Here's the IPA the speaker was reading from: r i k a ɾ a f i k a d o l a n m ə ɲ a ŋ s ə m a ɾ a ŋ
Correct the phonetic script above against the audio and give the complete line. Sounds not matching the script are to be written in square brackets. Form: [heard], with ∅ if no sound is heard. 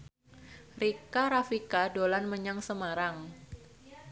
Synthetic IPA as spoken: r i k a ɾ a f i k a d o l a n m ə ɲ a ŋ s ə m a ɾ a ŋ